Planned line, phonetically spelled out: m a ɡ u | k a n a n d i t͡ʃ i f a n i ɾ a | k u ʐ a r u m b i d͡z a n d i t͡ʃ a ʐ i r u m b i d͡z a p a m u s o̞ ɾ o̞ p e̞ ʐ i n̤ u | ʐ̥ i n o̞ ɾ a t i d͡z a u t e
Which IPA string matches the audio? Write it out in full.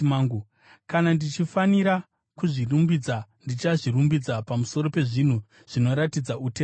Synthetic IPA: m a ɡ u | k a n a n d i t͡ʃ i f a n i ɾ a | k u ʐ i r u m b i d͡z a n d i t͡ʃ a ʐ i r u m b i d͡z a p a m u s o̞ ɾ o̞ p e̞ ʐ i n̤ u | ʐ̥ i n o̞ ɾ a t i d͡z a u t e